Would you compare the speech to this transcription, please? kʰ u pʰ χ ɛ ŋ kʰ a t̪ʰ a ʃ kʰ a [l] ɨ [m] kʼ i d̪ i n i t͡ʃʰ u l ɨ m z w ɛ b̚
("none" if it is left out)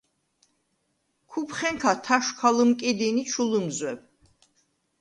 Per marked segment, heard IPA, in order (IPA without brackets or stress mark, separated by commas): l, m